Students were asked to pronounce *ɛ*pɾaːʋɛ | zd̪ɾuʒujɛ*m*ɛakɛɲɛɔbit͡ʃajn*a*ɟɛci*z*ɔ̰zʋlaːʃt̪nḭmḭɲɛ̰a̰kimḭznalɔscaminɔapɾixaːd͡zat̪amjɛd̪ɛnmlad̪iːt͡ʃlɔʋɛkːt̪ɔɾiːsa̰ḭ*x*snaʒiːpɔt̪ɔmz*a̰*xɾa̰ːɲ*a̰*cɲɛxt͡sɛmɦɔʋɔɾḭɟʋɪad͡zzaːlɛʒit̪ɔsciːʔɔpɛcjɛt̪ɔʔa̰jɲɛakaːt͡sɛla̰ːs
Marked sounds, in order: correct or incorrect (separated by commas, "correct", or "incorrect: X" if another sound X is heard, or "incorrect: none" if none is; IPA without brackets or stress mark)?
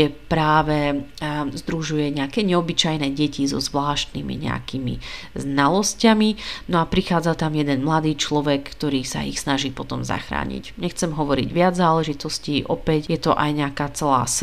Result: correct, incorrect: ɲ, incorrect: ɛ, correct, correct, correct, incorrect: ḭ